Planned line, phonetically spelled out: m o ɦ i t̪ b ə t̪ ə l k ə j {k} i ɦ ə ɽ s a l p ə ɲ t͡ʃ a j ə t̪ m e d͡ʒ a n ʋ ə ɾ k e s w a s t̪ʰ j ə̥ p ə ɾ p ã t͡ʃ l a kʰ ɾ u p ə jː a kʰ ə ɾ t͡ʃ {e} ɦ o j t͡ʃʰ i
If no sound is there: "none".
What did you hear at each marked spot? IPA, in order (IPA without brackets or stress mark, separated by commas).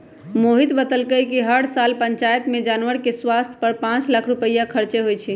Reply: k, e